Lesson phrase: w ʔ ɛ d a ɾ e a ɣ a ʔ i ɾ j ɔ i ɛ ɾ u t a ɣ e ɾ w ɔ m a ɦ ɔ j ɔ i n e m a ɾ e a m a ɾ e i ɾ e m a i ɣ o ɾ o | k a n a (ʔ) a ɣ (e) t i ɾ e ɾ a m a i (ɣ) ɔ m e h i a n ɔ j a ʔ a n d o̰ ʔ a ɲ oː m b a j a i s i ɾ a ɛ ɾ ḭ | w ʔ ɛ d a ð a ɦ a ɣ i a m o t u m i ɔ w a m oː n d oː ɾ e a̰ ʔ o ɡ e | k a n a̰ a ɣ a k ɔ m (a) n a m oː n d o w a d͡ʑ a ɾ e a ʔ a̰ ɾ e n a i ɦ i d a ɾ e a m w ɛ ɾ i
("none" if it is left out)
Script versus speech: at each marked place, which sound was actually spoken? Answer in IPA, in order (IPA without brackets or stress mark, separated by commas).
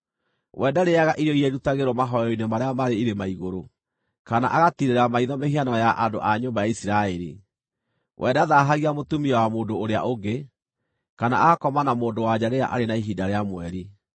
ʔ, a, ð, a